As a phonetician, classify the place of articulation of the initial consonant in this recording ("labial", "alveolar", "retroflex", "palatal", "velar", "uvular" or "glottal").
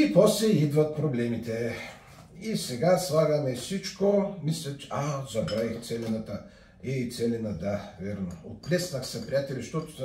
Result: labial